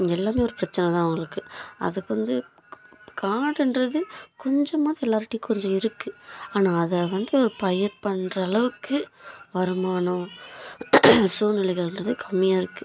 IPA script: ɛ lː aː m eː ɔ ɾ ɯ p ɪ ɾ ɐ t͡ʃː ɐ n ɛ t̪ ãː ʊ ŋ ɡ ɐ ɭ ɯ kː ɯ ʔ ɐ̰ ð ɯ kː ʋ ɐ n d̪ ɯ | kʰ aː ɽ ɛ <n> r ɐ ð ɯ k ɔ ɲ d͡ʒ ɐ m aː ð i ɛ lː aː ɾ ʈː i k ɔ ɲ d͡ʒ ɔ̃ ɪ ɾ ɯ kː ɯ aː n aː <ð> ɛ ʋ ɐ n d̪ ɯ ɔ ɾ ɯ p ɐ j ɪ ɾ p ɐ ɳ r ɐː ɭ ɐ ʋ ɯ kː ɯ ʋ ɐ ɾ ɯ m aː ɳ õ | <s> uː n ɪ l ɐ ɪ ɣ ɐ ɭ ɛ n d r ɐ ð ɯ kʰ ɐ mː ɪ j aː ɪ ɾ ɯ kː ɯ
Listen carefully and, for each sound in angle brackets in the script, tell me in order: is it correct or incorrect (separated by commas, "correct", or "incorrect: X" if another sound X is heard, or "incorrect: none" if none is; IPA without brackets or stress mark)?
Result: correct, correct, correct